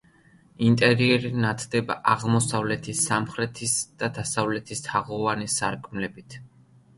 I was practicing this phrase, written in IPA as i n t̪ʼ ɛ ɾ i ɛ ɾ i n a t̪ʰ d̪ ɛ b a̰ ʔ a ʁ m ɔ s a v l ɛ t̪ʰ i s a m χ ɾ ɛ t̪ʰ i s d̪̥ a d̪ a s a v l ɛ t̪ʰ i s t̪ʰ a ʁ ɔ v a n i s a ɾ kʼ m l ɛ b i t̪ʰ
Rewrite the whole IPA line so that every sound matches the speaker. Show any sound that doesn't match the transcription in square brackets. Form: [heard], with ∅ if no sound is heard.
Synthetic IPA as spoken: i n t̪ʼ ɛ ɾ i ɛ ɾ i n a t̪ʰ d̪ ɛ b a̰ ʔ a ʁ m ɔ s a v l ɛ t̪ʰ i s a m χ ɾ ɛ t̪ʰ i s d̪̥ a d̪ a s a v l ɛ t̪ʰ i s t̪ʰ a ʁ ɔ v a n i s a ɾ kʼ m l ɛ b i t̪ʰ

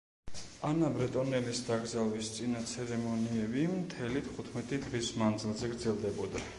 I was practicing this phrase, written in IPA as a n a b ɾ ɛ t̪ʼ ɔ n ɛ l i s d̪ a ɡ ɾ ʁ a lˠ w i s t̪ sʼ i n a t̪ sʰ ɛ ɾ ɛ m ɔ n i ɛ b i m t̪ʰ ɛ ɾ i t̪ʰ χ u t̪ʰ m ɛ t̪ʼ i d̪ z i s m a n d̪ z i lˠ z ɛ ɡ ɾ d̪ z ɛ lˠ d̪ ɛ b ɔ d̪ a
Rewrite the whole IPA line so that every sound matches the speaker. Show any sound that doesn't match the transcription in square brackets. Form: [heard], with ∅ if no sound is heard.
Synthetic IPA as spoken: a n a b ɾ ɛ t̪ʼ ɔ n ɛ l i s d̪ a ɡ ɾ [z] a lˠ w i s t̪ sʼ i n a t̪ sʰ ɛ ɾ ɛ m ɔ n i ɛ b i m t̪ʰ ɛ [l] i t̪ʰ χ u t̪ʰ m ɛ t̪ʼ i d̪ [ʁ] i s m a n d̪ z i lˠ z ɛ ɡ ɾ d̪ z ɛ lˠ d̪ ɛ b ɔ d̪ a

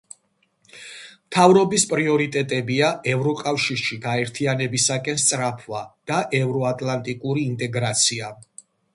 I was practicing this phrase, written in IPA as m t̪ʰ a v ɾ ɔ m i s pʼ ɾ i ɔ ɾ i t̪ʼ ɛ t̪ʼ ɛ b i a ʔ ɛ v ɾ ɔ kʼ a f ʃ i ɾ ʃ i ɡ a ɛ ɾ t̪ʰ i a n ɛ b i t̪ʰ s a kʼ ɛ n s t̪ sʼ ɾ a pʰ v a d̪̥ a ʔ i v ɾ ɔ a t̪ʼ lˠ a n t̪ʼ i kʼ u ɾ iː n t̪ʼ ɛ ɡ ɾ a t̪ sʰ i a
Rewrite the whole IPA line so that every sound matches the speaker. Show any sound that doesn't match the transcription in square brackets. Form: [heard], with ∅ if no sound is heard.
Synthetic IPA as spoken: m t̪ʰ a v ɾ ɔ [b] i s pʼ ɾ i ɔ ɾ i t̪ʼ ɛ t̪ʼ ɛ b i a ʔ ɛ v ɾ ɔ kʼ a f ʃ i ɾ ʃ i ɡ a ɛ ɾ t̪ʰ i a n ɛ b i [∅] s a kʼ ɛ n s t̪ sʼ ɾ a pʰ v a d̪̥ a ʔ [ɛ] v ɾ ɔ a t̪ʼ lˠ a n t̪ʼ i kʼ u ɾ iː n t̪ʼ ɛ ɡ ɾ a t̪ sʰ i a

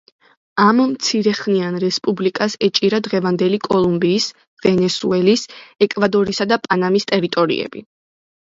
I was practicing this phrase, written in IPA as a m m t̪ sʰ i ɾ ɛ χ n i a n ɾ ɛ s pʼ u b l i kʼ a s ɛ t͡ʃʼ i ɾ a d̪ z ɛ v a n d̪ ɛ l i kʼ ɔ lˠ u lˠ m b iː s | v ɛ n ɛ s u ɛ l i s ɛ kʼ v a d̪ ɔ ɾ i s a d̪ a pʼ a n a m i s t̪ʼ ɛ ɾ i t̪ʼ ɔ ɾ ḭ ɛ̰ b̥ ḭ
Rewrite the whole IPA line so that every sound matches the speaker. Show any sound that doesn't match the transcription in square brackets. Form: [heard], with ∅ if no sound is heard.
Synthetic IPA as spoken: a m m t̪ sʰ i ɾ ɛ χ n i a n ɾ ɛ s pʼ u b l i kʼ a s ɛ t͡ʃʼ i ɾ a d̪ [ʁ] ɛ v a n d̪ ɛ l i kʼ ɔ lˠ u [∅] m b iː s | v ɛ n ɛ s u ɛ l i s ɛ kʼ v a d̪ ɔ ɾ i s a d̪ a pʼ a n a m i s t̪ʼ ɛ ɾ i t̪ʼ ɔ ɾ ḭ ɛ̰ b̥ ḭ

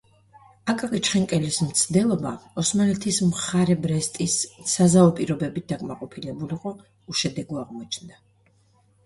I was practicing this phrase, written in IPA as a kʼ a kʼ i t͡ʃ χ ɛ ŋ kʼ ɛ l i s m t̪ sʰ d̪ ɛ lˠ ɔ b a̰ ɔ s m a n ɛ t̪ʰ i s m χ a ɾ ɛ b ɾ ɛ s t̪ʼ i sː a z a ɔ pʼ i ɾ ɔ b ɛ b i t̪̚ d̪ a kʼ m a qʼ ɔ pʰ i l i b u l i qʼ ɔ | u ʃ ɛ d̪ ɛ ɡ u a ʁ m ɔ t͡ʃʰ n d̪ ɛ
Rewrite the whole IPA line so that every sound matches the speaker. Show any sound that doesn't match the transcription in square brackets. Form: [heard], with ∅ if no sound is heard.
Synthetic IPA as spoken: a kʼ a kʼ i t͡ʃ χ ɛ ŋ kʼ ɛ l i s m t̪ sʰ d̪ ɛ lˠ ɔ b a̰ ɔ s m a n ɛ t̪ʰ i s m χ a ɾ ɛ b ɾ ɛ s t̪ʼ i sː a z a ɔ pʼ i ɾ ɔ b ɛ b i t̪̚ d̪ a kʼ m a qʼ ɔ pʰ i l [ɛ] b u l i qʼ ɔ | u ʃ ɛ d̪ ɛ ɡ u a ʁ m ɔ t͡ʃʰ n d̪ [a]

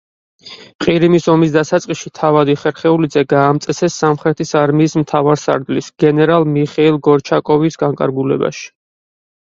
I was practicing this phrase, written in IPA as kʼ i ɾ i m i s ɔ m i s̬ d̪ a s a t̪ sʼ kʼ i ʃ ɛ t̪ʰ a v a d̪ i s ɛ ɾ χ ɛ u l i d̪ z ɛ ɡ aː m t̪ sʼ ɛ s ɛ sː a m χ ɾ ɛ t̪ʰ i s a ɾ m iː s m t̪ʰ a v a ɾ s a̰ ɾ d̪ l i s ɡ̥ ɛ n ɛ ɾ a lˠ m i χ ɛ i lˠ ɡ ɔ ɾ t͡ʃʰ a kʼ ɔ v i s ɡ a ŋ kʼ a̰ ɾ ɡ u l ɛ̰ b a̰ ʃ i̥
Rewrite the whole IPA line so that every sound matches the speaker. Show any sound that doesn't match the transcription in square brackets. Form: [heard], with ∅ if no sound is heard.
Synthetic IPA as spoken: [qʼ] i ɾ i m i s ɔ m i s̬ d̪ a s a t̪ sʼ [qʼ] i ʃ [i] t̪ʰ a v a d̪ i [χ] ɛ ɾ χ ɛ u l i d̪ z ɛ ɡ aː m t̪ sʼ ɛ s ɛ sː a m χ ɾ ɛ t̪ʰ i s a ɾ m iː s m t̪ʰ a v a ɾ s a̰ ɾ d̪ l i s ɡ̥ ɛ n ɛ ɾ a lˠ m i χ ɛ i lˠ ɡ ɔ ɾ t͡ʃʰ a kʼ ɔ v i s ɡ a ŋ kʼ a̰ ɾ ɡ u l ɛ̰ b a̰ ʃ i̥

